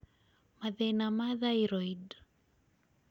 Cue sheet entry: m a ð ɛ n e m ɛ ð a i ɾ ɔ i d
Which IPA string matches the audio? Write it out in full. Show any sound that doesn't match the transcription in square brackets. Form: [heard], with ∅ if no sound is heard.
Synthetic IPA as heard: m a ð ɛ n [a] m [a] ð a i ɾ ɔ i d